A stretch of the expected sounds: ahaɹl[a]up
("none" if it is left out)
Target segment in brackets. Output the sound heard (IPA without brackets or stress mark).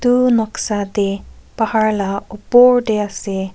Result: a